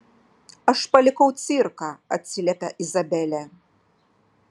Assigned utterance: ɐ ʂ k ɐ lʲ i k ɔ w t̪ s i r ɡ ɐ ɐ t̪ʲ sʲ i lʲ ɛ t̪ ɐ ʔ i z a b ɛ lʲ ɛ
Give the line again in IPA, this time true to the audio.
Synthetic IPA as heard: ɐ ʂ p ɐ lʲ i k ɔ w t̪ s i r k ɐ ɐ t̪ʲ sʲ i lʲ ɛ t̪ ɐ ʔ i z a b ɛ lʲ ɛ